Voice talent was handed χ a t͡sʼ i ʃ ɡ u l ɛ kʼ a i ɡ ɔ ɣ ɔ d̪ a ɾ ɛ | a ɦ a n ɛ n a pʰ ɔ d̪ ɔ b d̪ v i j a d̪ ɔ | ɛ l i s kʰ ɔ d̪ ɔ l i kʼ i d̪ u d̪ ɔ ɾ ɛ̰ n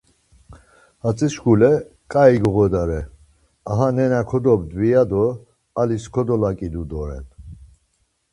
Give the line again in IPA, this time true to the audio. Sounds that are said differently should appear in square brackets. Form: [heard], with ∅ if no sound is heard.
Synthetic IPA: [h] a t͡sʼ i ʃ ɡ u l ɛ kʼ a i ɡ ɔ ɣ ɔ d̪ a ɾ ɛ | a ɦ a n ɛ n a [kʰ] ɔ d̪ ɔ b d̪ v i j a d̪ ɔ | [a] l i s kʰ ɔ d̪ ɔ l [a] kʼ i d̪ u d̪ ɔ ɾ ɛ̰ n